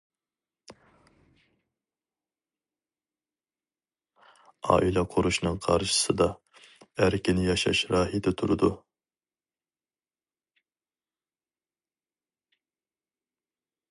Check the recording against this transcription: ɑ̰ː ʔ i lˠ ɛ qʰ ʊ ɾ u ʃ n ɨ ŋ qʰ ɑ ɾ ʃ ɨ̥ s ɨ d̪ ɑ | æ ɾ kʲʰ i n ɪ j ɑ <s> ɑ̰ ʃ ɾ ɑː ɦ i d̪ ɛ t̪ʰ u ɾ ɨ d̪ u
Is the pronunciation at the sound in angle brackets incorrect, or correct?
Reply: incorrect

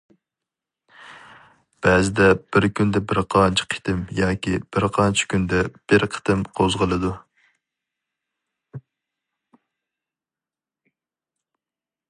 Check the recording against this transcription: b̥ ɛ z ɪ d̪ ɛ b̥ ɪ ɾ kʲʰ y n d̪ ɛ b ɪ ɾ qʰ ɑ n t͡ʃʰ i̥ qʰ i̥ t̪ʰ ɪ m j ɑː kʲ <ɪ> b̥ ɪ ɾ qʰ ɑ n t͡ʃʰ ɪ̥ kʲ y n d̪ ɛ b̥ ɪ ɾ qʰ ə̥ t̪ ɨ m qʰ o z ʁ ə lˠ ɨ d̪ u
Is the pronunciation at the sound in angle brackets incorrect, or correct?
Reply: incorrect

